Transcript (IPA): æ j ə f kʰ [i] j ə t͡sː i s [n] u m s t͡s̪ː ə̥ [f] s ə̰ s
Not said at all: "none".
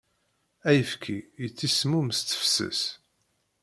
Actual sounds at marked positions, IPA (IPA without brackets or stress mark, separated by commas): i, m, f